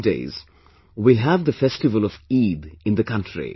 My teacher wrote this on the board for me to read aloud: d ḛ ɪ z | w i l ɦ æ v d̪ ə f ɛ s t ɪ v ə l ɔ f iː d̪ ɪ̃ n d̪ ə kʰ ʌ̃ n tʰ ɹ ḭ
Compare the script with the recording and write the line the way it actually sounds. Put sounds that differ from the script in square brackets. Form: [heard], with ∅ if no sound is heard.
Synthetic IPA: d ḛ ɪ z | w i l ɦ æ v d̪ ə f ɛ s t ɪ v ə l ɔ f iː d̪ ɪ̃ n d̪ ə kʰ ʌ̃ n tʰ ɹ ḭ